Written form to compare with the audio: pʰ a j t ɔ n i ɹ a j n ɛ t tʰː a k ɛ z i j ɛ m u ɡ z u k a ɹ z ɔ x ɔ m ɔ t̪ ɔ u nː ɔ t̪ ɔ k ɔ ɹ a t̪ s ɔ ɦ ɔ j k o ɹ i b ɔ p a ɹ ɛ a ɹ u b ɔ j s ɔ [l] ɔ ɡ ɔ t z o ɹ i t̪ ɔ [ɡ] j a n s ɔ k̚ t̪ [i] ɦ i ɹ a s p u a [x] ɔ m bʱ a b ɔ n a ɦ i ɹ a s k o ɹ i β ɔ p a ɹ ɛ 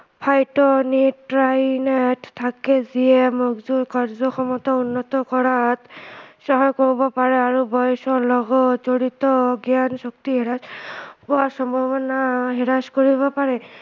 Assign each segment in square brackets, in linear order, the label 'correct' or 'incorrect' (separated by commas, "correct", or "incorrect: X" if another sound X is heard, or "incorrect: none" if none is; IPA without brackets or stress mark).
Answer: correct, correct, correct, incorrect: s